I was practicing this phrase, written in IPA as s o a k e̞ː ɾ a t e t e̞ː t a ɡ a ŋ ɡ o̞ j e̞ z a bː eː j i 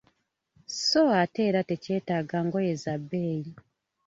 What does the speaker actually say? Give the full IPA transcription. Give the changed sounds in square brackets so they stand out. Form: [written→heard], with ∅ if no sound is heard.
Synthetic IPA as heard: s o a [k→t] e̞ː ɾ a t e [t→c] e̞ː t a ɡ a ŋ ɡ o̞ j e̞ z a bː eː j i